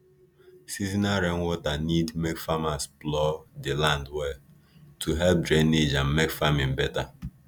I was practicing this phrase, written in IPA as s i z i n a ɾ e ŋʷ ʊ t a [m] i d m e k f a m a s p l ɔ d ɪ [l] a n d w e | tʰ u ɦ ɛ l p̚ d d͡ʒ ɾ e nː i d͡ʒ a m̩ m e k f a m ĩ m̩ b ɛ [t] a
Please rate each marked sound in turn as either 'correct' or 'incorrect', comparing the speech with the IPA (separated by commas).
incorrect, correct, correct